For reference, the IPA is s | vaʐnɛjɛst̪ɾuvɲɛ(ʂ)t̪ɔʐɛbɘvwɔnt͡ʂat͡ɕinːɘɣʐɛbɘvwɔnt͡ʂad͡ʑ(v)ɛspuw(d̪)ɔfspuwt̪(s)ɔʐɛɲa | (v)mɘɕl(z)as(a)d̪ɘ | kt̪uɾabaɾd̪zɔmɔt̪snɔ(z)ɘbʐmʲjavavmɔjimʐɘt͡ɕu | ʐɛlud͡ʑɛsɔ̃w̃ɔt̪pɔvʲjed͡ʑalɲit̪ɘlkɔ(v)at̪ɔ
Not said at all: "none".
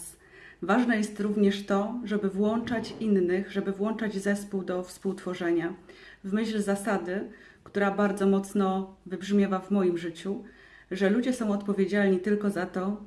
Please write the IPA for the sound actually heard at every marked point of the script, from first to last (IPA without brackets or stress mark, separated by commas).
ʂ, z, d̪, f, v, z, a, v, z